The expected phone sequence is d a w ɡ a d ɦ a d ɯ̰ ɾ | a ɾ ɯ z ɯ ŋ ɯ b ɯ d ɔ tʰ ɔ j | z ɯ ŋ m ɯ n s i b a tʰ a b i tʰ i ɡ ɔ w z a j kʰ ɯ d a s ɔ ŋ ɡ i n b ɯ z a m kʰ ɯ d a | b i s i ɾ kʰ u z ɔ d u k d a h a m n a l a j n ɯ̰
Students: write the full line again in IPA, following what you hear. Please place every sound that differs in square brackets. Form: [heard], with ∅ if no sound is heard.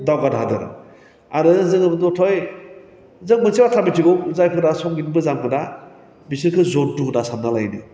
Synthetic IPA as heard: d a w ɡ a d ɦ a d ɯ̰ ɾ | a ɾ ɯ z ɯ ŋ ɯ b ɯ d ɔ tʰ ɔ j | z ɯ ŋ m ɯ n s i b a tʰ a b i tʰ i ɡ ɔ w z a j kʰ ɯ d a s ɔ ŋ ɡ i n b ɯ z a m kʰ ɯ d a | b i s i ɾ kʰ [ɯ] z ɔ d u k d a [s] a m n a l a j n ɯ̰